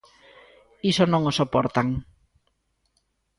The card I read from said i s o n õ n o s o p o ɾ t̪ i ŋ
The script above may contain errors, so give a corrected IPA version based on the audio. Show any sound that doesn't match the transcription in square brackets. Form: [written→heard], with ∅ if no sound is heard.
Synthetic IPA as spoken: i s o n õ [n→ŋ] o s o p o ɾ t̪ [i→a] ŋ